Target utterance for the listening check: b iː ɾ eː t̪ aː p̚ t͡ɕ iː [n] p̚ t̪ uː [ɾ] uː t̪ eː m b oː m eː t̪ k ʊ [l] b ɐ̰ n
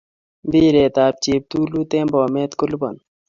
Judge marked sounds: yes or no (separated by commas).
no, no, yes